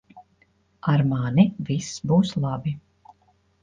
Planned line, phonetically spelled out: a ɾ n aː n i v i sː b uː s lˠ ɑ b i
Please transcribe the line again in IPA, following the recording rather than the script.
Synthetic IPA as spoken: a ɾ m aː n i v i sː b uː s lˠ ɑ b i